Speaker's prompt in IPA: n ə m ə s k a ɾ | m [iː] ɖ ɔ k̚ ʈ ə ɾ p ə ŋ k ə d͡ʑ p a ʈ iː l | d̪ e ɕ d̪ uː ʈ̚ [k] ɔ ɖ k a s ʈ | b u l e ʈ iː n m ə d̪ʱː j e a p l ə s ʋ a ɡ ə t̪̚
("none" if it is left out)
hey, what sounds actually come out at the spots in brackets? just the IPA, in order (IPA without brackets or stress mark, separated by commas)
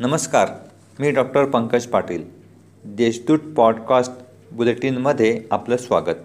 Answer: iː, p